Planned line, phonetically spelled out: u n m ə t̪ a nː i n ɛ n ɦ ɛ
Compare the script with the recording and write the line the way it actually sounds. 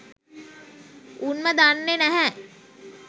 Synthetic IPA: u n m ə d̪ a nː e n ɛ ɦ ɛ